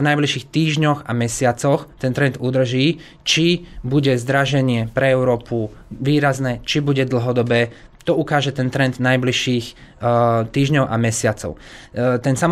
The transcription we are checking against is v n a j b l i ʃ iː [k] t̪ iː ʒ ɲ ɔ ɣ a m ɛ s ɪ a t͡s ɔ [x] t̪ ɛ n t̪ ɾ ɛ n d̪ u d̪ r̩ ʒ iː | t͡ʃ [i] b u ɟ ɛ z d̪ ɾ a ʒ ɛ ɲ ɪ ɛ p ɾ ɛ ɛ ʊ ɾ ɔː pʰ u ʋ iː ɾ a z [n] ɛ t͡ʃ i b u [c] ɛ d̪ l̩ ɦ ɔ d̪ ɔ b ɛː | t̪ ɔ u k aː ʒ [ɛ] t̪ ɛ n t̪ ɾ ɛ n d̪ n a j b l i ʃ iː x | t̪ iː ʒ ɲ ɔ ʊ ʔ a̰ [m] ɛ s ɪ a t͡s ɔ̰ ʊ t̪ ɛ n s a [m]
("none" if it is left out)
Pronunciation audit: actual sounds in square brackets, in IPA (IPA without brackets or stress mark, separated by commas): x, x, i, n, ɟ, ɛ, m, m